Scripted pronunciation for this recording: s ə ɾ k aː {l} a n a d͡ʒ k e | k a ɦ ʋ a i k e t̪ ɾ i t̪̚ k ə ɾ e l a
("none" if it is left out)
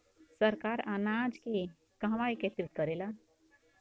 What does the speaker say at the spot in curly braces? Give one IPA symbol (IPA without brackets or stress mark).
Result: ɾ